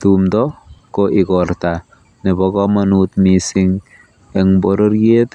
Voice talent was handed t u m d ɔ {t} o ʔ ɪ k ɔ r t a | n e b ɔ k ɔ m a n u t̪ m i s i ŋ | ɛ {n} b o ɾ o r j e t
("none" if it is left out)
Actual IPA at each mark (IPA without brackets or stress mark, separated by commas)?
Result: k, ŋ